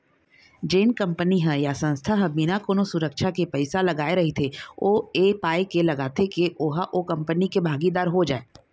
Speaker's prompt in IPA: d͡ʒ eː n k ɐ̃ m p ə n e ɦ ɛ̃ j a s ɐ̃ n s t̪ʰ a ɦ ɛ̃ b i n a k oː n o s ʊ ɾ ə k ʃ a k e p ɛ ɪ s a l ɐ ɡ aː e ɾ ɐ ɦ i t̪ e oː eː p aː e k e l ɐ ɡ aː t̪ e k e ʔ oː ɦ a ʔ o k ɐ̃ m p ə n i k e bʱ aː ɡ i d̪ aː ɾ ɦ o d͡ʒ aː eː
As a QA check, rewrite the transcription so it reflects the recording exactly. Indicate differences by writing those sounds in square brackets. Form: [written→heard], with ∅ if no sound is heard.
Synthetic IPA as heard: d͡ʒ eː n k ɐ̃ m p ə n [e→i] ɦ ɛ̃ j a s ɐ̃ n s t̪ʰ a ɦ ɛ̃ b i n a k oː n o s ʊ ɾ ə k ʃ a k e p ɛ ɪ s a l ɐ ɡ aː e ɾ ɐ ɦ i [t̪→t̪ʰ] e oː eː p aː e k e l ɐ ɡ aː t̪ e k e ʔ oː ɦ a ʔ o k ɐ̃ m p ə n i k e bʱ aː ɡ i d̪ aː ɾ ɦ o d͡ʒ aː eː